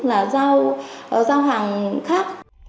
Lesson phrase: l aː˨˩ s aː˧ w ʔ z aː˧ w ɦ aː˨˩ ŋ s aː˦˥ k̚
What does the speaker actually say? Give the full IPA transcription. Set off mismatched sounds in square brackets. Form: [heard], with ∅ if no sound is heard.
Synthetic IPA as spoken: l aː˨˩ [z] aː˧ w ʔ z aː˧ w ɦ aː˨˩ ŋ [x] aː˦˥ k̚